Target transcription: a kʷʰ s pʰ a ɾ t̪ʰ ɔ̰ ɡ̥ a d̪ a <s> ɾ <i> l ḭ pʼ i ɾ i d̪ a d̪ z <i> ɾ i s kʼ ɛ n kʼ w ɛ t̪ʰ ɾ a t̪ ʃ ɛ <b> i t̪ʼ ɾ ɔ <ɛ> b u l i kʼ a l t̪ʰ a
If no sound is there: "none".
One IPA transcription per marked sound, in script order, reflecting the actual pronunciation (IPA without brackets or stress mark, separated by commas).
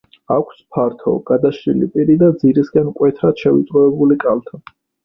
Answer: ʃ, i, i, v, ɛ